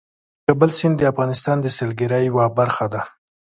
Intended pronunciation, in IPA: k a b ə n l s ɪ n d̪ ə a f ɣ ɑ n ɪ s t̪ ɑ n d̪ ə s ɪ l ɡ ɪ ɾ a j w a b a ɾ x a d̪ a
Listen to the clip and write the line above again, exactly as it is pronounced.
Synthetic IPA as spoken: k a b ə l s ɪ n d̪ ə a f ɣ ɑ n ɪ s t̪ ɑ n d̪ ə s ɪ l ɡ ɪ ɾ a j w a b a ɾ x a d̪ a

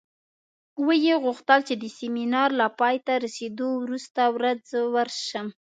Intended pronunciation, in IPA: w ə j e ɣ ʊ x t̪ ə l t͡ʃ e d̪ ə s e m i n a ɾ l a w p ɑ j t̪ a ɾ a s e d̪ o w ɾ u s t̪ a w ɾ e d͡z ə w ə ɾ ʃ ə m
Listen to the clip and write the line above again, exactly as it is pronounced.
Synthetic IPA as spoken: w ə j e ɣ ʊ x t̪ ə l t͡ʃ e d̪ ə s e m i n ɑ ɾ l a p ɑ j t̪ a ɾ a s e d̪ o w ɾ u s t̪ a w ɾ a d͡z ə w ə ɾ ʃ ə m

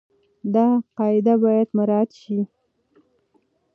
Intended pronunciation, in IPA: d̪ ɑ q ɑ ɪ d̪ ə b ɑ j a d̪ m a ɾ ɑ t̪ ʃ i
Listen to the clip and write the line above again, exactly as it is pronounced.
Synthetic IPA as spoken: d̪ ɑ q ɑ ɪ d̪ a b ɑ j a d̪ m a ɾ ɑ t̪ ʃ i

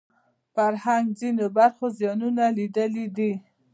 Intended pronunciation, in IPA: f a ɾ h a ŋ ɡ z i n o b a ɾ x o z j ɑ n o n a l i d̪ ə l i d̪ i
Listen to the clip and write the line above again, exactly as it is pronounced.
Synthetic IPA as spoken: f a ɾ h a ŋ ɡ z i n o b a ɾ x o z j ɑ n u n a l i d̪ ə l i d̪ i

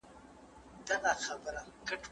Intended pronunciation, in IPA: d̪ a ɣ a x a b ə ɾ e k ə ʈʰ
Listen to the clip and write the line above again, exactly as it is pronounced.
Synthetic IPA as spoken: d̪ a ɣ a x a b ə ɾ a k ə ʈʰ

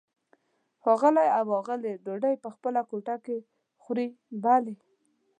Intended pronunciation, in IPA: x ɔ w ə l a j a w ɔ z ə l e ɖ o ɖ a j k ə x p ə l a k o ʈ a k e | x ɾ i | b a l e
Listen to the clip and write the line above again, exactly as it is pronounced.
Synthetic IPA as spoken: x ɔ ɣ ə l a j a w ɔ ɣ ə l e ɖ o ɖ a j p ə x p ə l a k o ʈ a k e | x ɾ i | b a l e

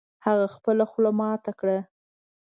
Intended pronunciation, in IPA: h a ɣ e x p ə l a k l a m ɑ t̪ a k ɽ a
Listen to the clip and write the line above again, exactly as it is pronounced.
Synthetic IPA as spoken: h a ɣ a x p ə l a x l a m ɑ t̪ a k ɽ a

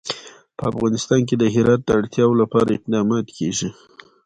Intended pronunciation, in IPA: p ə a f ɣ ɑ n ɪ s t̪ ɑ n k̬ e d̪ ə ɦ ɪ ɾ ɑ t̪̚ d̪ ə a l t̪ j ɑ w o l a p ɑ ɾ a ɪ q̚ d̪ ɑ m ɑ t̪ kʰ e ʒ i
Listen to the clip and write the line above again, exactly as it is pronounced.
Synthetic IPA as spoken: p ə a f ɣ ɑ n ɪ s t̪ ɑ n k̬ e d̪ ə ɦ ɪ ɾ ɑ t̪̚ d̪ ə a ɽ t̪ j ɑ w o l a p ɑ ɾ a ɪ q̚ d̪ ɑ m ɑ t̪ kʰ e ʒ i

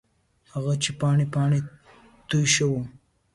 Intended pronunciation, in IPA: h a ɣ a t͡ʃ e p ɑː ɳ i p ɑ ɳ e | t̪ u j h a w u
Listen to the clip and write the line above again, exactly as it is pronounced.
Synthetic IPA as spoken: h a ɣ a t͡ʃ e p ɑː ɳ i p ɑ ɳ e | t̪ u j ʃ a w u

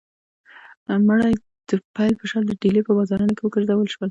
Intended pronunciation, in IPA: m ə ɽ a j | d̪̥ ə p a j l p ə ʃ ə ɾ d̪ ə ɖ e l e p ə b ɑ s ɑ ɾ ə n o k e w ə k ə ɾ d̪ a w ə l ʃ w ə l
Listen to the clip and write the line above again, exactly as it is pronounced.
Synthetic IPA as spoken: m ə ɽ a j | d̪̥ ə p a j l p ə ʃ ɑ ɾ d̪ ə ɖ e l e p ə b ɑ z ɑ ɾ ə n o k e w ə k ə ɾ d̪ a w ə l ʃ w ə l

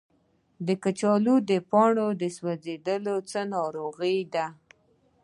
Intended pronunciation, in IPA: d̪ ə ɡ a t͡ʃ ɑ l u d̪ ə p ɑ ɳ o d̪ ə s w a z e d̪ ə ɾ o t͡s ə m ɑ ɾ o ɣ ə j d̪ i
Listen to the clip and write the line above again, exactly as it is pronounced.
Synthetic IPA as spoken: d̪ ə k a t͡ʃ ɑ l u d̪ ə p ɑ ɳ o d̪ ə s w a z e d̪ ə l o t͡s ə n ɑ ɾ o ɣ ə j d̪ a

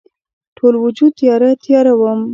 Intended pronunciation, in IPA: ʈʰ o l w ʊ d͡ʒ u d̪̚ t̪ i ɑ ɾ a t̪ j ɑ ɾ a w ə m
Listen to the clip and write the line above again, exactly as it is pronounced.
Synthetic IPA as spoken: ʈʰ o l w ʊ d͡ʒ u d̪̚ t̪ j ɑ ɾ a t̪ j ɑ ɾ a w ə m

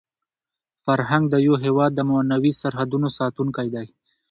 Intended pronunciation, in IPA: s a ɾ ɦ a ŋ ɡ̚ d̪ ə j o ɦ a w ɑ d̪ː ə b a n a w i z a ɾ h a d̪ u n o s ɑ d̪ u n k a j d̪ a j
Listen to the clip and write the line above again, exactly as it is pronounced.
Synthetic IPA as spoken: f a ɾ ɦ a ŋ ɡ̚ d̪ ə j o ɦ e w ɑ d̪ː ə m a n a w i s a ɾ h a d̪ u n o s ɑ t̪ u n k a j d̪ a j

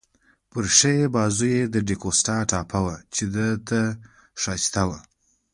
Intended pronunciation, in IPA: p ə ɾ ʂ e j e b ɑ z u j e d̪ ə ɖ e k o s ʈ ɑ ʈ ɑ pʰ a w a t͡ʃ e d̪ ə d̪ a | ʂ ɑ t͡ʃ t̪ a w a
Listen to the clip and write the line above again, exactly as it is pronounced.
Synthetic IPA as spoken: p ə ɾ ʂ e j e b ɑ z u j e d̪ ə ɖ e k o s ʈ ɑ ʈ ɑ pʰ a w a t͡ʃ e d̪ ə t̪ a | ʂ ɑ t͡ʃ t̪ a w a

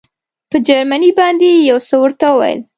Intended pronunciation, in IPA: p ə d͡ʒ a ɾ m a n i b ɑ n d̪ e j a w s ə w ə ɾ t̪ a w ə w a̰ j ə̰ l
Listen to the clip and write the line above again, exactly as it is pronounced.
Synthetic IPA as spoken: p ə d͡ʒ a ɾ m a n i b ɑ n d̪ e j a w s ə w ə ɾ t̪ a w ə w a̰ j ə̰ l

